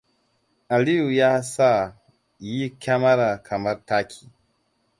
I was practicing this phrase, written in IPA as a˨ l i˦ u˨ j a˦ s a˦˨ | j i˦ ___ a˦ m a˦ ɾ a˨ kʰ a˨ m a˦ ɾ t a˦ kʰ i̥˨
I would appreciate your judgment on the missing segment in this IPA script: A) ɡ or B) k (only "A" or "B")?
B